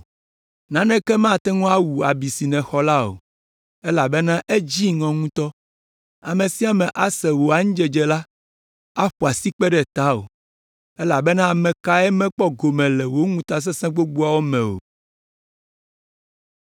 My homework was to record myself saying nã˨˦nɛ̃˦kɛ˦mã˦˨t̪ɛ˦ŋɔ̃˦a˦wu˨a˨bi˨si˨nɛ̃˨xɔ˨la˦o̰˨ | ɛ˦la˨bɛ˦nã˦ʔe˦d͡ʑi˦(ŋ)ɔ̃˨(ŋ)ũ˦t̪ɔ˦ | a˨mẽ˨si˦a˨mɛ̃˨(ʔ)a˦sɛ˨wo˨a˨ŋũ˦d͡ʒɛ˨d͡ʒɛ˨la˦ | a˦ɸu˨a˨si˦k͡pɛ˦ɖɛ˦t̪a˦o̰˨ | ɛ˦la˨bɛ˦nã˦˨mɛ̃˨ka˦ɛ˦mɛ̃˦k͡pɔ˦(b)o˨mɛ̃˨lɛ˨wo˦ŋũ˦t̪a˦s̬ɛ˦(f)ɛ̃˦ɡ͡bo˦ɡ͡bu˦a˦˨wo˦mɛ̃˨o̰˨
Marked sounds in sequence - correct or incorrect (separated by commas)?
correct, correct, correct, incorrect, incorrect